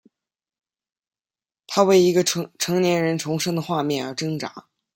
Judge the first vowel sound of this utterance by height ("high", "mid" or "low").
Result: low